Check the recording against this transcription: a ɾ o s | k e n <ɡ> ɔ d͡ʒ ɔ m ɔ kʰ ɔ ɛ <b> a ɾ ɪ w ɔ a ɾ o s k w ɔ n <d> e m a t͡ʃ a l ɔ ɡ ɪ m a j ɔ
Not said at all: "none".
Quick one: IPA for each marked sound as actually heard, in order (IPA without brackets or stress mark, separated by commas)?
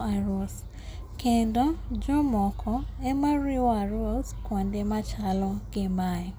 d, m, d